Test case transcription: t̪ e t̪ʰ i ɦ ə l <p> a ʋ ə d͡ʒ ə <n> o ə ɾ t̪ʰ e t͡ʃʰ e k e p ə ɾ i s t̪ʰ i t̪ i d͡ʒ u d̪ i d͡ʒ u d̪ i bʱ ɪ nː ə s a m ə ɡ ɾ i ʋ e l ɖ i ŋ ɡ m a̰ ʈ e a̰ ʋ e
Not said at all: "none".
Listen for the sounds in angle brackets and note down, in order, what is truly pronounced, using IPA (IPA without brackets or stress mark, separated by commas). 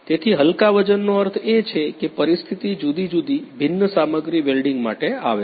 k, nː